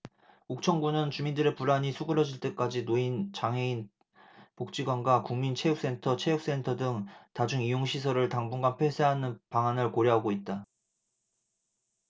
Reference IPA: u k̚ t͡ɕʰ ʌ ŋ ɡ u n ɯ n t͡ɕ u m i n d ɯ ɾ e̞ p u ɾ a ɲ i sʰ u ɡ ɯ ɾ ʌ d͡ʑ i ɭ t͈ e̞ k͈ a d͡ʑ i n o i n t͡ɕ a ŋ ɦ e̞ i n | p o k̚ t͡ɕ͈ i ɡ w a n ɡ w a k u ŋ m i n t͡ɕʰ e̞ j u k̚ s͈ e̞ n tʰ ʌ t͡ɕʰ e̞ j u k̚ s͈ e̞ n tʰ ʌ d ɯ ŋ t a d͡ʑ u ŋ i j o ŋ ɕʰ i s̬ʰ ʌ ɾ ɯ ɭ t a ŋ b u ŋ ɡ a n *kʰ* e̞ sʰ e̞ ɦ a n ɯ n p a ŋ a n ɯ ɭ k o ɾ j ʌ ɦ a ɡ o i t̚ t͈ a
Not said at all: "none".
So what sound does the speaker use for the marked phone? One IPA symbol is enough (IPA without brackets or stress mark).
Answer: pʰ